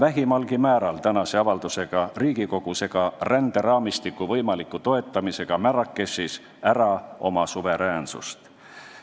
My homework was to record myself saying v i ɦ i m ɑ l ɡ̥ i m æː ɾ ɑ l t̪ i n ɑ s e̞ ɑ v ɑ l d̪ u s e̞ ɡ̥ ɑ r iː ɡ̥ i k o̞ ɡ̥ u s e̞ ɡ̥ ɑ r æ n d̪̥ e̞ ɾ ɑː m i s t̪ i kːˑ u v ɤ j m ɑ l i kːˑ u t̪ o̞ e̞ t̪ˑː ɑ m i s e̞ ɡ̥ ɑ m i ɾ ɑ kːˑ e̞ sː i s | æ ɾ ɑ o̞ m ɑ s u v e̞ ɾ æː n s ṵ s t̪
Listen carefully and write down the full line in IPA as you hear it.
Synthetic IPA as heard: v æ ɦ i m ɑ l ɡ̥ i m æː ɾ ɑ l t̪ æ n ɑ s e̞ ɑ v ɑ l d̪ u s e̞ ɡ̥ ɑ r iː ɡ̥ i k o̞ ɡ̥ u s e̞ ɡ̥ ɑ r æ n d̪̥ e̞ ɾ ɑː m i s t̪ i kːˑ u v ɤ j m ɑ l i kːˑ u t̪ o̞ e̞ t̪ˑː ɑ m i s e̞ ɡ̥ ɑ m æ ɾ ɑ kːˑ e̞ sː i s | æ ɾ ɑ o̞ m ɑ s u v e̞ ɾ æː n s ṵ s t̪